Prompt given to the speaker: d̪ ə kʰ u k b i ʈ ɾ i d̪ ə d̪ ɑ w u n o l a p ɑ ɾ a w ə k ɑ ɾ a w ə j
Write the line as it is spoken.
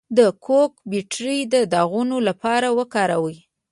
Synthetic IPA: d̪ ə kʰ o k b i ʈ ɾ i d̪ ə d̪ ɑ ɣ u n o l a p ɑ ɾ a w ə k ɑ ɾ a w ə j